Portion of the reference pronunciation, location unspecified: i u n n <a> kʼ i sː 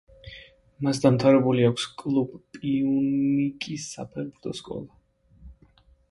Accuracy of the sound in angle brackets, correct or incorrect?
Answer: incorrect